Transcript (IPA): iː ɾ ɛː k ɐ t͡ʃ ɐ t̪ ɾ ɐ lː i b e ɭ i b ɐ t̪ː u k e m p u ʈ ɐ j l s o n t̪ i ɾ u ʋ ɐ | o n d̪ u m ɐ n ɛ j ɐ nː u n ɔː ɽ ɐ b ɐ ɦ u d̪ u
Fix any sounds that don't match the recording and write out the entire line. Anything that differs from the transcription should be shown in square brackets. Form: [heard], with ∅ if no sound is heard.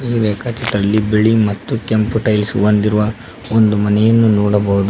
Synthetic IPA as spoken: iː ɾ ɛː k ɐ t͡ʃ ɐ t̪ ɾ ɐ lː i b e ɭ i [m] ɐ t̪ː u k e m p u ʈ ɐ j l s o n [d̪] i ɾ u ʋ ɐ | o n d̪ u m ɐ n ɛ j ɐ nː u n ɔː ɽ ɐ b ɐ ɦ u d̪ u